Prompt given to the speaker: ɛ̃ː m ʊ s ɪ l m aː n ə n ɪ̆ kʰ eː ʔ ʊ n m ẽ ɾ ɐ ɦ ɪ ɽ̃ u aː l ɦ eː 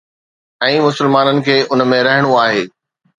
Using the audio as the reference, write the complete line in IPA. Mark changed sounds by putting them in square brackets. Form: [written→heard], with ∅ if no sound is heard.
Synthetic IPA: ɛ̃ː m ʊ s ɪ l m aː n ə n ɪ̆ kʰ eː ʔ ʊ n m ẽ ɾ ɐ ɦ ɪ ɽ̃ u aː [l→∅] ɦ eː